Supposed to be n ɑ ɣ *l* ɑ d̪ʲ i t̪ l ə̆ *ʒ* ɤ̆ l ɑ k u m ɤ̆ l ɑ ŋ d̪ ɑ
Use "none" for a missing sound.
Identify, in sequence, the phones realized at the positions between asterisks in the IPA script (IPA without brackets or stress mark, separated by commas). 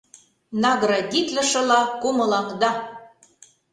ɾ, ʃ